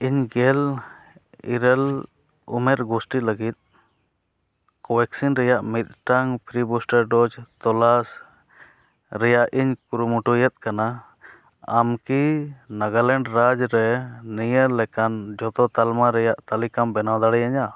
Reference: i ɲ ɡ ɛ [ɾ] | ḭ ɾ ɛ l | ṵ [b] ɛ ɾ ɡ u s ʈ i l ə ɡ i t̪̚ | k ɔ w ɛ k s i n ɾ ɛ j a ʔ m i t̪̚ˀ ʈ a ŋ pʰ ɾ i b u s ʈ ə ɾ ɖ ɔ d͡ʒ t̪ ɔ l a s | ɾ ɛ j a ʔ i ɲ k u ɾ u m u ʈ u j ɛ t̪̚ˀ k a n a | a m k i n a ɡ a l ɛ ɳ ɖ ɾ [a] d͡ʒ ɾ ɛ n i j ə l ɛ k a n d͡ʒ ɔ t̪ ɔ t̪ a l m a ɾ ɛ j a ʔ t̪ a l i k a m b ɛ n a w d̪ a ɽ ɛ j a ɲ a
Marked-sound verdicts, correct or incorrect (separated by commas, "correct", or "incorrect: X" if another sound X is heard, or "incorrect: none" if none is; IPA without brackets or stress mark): incorrect: l, incorrect: m, correct